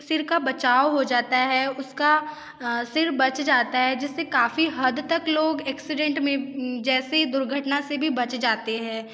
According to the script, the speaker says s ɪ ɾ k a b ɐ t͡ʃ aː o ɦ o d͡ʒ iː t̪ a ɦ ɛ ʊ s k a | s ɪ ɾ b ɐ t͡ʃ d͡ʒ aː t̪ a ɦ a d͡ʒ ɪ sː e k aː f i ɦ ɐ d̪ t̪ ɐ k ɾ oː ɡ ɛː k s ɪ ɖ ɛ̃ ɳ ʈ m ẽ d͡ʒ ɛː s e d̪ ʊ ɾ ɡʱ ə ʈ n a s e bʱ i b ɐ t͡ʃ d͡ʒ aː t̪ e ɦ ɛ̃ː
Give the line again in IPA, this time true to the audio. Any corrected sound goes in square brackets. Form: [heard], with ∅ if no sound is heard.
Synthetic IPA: s ɪ ɾ k a b ɐ t͡ʃ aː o ɦ o d͡ʒ [aː] t̪ a ɦ ɛ ʊ s k a | s ɪ ɾ b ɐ t͡ʃ d͡ʒ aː t̪ a ɦ [ɛ] d͡ʒ ɪ sː e k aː f i ɦ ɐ d̪ t̪ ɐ k [l] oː ɡ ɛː k s ɪ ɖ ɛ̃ ɳ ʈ m ẽ d͡ʒ ɛː s e d̪ ʊ ɾ ɡʱ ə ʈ n a s e bʱ i b ɐ t͡ʃ d͡ʒ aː t̪ e ɦ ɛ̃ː